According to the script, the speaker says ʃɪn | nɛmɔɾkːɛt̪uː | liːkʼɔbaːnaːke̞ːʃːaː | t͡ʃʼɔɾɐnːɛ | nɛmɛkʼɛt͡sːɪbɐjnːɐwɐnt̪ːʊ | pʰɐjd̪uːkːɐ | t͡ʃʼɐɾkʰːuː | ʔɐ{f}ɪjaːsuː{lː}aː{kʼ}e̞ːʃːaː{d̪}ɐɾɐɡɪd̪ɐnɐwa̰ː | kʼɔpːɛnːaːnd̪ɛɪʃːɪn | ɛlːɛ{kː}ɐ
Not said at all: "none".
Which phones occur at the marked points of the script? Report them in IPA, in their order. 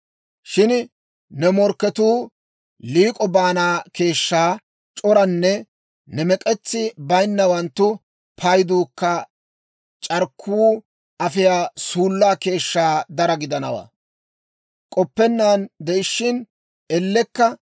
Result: f, lː, k, d̪, kː

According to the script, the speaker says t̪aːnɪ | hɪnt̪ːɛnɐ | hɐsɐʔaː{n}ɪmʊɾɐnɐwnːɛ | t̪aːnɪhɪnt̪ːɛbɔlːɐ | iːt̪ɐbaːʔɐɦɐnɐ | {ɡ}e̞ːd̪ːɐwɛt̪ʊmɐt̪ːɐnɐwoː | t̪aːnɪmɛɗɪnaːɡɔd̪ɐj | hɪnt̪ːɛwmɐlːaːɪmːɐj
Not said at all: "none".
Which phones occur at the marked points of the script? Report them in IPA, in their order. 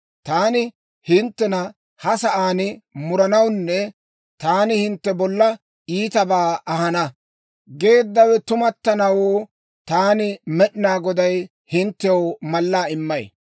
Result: n, ɡ

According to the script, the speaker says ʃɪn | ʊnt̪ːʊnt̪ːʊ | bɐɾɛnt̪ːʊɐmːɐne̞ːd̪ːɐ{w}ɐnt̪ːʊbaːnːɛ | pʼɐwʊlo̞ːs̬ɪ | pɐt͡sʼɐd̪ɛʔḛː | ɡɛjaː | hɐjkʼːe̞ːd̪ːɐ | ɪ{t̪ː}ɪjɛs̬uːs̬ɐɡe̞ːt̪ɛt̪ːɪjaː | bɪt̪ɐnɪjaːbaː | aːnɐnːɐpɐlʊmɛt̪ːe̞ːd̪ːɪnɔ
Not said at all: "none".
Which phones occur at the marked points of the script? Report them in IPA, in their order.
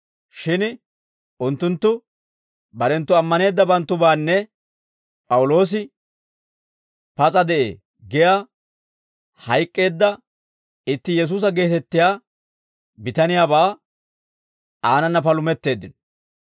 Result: b, t̪ː

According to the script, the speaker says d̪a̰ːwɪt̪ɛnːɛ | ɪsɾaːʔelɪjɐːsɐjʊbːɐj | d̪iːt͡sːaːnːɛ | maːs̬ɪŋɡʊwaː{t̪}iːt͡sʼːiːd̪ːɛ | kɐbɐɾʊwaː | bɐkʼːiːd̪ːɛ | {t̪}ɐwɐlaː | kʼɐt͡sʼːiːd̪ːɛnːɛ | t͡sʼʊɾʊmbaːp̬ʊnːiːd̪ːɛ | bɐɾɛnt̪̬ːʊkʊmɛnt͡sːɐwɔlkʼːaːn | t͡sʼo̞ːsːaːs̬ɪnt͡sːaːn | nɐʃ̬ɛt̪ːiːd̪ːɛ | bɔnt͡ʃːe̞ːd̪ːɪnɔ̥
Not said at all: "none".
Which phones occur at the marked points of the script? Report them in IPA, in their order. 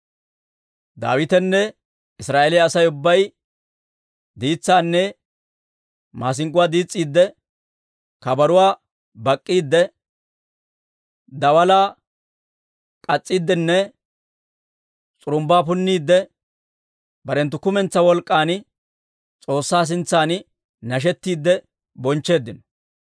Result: d̪, d̪

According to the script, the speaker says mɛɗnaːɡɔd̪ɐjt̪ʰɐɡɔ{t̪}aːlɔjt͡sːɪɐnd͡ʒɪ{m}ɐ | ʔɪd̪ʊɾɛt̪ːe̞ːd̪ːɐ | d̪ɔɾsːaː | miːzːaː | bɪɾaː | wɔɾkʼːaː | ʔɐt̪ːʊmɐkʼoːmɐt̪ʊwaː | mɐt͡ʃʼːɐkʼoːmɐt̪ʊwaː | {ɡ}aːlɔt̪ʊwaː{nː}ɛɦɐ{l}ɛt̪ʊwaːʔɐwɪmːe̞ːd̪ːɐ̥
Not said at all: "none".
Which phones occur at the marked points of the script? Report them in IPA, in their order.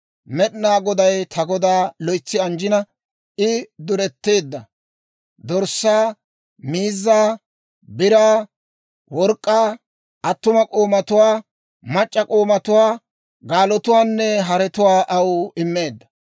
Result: d̪, n, ɡ, nː, ɾ

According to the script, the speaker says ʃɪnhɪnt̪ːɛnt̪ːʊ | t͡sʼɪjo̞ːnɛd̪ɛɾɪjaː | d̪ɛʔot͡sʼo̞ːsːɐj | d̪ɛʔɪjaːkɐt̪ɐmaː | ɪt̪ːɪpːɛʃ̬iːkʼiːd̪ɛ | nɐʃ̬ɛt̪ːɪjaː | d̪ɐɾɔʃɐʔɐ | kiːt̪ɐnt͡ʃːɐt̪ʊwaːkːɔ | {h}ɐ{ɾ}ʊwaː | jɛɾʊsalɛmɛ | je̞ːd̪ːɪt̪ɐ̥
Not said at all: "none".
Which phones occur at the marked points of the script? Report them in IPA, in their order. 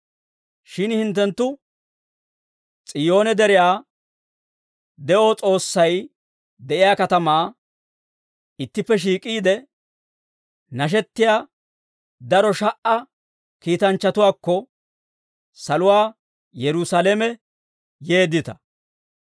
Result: s, l

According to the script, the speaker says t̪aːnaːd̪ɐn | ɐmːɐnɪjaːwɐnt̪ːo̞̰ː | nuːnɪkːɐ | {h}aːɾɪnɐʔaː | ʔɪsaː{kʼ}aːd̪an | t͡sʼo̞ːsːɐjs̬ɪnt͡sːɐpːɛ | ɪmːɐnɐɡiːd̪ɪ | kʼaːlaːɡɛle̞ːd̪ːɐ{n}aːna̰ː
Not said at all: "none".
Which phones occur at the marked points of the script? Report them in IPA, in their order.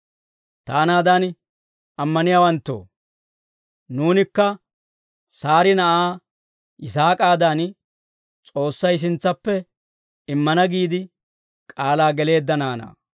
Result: s, kʼ, n

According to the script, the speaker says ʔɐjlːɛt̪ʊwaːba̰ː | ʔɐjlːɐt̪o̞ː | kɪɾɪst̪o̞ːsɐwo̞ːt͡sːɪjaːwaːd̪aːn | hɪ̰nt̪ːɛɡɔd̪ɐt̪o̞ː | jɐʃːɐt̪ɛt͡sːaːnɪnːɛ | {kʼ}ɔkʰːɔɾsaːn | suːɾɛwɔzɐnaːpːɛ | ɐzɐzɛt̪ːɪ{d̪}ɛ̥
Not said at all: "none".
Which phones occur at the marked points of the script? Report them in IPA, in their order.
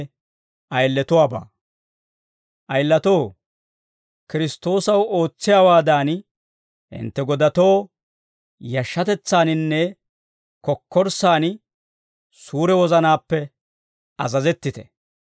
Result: k, t̪

